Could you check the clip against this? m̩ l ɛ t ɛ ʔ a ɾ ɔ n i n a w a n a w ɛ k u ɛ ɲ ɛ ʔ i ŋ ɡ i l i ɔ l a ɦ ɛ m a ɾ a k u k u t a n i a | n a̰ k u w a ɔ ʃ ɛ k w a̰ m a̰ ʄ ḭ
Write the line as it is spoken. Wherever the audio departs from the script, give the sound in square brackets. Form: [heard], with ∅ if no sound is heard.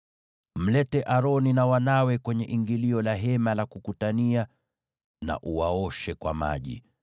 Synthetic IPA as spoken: m̩ l ɛ t ɛ ʔ a ɾ ɔ n i n a w a n a w ɛ k [w] ɛ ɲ ɛ ʔ i ŋ ɡ i l i ɔ l a ɦ ɛ m a [l] a k u k u t a n i a | n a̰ [ʔ] u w a ɔ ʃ ɛ k w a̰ m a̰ ʄ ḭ

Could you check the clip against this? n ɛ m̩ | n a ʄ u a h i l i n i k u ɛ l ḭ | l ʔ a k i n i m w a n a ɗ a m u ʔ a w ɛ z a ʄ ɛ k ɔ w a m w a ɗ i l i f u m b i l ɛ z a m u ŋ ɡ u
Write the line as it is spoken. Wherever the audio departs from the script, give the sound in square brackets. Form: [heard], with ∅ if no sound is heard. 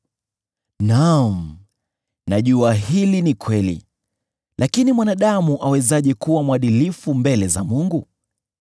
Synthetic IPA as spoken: n [a] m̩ | n a ʄ u a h i l i n i k [w] ɛ l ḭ | l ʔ a k i n i m w a n a ɗ a m u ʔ a w ɛ z a ʄ ɛ k [u] w a m w a ɗ i l i f u m b [ɛ] l ɛ z a m u ŋ ɡ u

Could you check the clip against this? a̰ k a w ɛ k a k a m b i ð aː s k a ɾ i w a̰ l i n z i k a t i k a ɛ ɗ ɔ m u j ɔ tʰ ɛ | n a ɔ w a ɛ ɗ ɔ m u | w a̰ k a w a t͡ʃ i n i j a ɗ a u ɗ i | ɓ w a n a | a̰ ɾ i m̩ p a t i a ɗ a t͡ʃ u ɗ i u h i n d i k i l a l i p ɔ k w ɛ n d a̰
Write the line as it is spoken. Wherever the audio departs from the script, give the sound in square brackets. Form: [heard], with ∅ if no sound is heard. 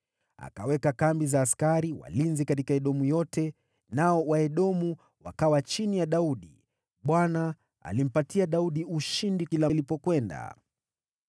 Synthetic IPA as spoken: a̰ k a w ɛ k a k a m b i [z] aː s k a ɾ i w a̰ l i n z i k a t i k a ɛ ɗ ɔ m u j ɔ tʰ ɛ | n a ɔ w a ɛ ɗ ɔ m u | w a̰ k a w a t͡ʃ i n i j a ɗ a u ɗ i | ɓ w a n a | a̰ [l] i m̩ p a t i a ɗ a [∅] u ɗ i u [ʃ] i n d i k i l a l i p ɔ k w ɛ n d a̰

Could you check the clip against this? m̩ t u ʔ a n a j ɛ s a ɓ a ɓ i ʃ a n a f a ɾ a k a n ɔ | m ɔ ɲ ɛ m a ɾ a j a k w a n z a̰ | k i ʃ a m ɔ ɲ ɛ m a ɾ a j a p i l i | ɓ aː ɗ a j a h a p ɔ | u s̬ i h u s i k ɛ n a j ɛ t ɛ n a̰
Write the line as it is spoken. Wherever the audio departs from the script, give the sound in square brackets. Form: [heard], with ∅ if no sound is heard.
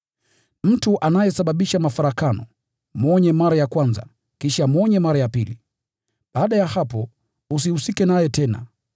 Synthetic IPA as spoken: m̩ t u ʔ a n a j ɛ s a ɓ a ɓ i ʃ a [m] a f a ɾ a k a n ɔ | m ɔ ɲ ɛ m a ɾ a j a k w a n z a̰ | k i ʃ a m ɔ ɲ ɛ m a ɾ a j a p i l i | ɓ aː ɗ a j a h a p ɔ | u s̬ i h u s i k ɛ n a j ɛ t ɛ n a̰

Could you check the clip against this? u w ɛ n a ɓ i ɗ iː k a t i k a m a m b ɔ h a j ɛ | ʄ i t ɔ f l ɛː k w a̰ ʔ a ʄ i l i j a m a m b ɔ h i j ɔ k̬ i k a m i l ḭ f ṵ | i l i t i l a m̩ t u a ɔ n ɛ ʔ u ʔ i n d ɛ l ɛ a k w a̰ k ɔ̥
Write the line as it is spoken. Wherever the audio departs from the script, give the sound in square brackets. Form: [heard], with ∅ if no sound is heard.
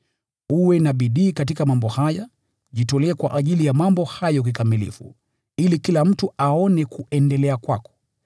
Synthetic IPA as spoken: u w ɛ n a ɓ i ɗ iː k a t i k a m a m b ɔ h a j [a] | ʄ i t ɔ [∅] l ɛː k w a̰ ʔ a ʄ i l i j a m a m b ɔ h [a] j ɔ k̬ i k a m i l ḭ f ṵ | i l i [k] i l a m̩ t u a ɔ n ɛ [k] u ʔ [ɛ] n d ɛ l ɛ a k w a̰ k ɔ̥

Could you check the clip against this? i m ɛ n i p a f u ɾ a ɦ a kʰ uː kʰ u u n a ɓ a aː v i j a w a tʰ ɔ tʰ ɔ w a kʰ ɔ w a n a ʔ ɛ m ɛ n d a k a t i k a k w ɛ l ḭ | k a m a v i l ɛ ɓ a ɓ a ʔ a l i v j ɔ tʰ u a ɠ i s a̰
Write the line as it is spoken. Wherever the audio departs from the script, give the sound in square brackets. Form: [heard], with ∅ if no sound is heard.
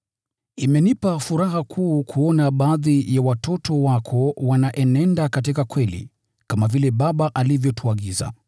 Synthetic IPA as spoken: i m ɛ n i p a f u ɾ a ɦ a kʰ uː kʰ u [ɔ] n a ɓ a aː [ð] i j a w a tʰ ɔ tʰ ɔ w a kʰ ɔ w a n a ʔ ɛ [n] ɛ n d a k a t i k a k w ɛ l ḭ | k a m a v i l ɛ ɓ a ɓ a ʔ a l i v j ɔ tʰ u a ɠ i [z] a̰

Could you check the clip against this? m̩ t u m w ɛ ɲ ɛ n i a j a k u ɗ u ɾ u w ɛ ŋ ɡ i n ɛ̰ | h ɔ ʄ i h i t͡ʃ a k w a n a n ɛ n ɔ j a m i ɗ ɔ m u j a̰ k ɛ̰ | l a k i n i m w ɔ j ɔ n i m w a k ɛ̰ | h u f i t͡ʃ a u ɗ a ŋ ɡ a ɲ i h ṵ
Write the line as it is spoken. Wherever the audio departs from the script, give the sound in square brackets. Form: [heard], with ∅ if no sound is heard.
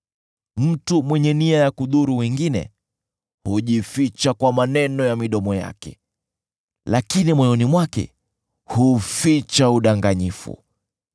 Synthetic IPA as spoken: m̩ t u m w ɛ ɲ ɛ n i a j a k u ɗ u ɾ u w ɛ ŋ ɡ i n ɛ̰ | h [u] ʄ i [f] i t͡ʃ a k w a [m] a n ɛ n ɔ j a m i ɗ ɔ m [ɔ] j a̰ k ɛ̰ | l a k i n i m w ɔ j ɔ n i m w a k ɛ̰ | h u f i t͡ʃ a u ɗ a ŋ ɡ a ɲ i [f] ṵ

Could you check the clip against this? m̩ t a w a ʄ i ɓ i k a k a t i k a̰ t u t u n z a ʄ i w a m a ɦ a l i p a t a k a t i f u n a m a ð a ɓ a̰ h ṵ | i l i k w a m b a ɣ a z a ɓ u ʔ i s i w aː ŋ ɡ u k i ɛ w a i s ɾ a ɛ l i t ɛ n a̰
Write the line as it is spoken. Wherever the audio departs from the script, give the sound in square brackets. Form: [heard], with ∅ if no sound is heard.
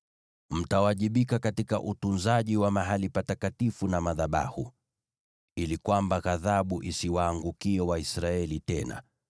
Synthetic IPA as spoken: m̩ t a w a ʄ i ɓ i k a k a t i k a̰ [ʔ] u t u n z a ʄ i w a m a ɦ a l i p a t a k a t i f u n a m a ð a ɓ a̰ h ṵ | i l i k w a m b a ɣ a [ð] a ɓ u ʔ i s i w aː ŋ ɡ u k i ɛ w a i s ɾ a ɛ l i t ɛ n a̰

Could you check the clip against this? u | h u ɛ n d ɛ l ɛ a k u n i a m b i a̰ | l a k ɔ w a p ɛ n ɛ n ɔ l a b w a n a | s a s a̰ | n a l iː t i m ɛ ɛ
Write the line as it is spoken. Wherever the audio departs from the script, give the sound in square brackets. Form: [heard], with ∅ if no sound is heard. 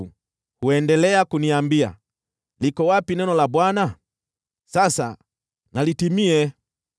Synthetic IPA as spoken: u | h u ɛ n d ɛ l ɛ a k u n i a m b i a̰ | l [i] k ɔ w a p [i] n ɛ n ɔ l a b w a n a | s a s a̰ | n a l [i] t i m [i] ɛ

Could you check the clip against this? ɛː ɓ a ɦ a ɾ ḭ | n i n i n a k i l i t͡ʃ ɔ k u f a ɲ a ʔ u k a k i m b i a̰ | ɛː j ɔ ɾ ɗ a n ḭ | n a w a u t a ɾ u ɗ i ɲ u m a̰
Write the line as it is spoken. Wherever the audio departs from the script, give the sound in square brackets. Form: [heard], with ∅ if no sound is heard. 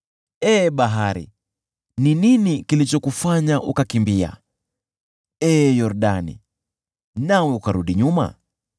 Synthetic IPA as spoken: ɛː ɓ a ɦ a ɾ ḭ | n i n i n [i] k i l i t͡ʃ ɔ k u f a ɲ a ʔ u k a k i m b i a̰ | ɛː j ɔ ɾ ɗ a n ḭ | n a w [ɛ] u [k] a ɾ u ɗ i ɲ u m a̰

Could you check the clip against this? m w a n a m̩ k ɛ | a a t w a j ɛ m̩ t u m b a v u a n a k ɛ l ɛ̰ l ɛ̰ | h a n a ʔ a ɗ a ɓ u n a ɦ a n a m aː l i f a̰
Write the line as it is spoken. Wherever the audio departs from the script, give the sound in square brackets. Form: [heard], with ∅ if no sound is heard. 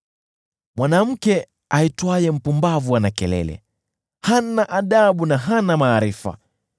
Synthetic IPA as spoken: m w a n a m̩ k ɛ | a [i] t w a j ɛ m̩ [p] u m b a v u a n a k ɛ l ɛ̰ l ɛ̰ | h a n a ʔ a ɗ a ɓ u n a ɦ a n a m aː [ɾ] i f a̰

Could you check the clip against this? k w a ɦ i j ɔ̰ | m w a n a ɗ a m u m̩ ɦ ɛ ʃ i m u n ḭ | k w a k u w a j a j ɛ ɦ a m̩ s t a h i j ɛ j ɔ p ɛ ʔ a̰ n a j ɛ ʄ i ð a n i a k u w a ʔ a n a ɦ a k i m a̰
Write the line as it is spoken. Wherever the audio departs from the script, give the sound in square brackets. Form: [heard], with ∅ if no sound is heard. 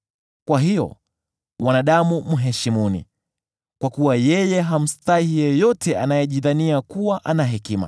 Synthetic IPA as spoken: k w a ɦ i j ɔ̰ | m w a n a ɗ a m u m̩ ɦ ɛ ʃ i m u n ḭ | k w a k u w a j [ɛ] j ɛ ɦ a m̩ s t a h i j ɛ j ɔ [t] ɛ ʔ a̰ n a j ɛ ʄ i ð a n i a k u w a ʔ a n a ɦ [ɛ] k i m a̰

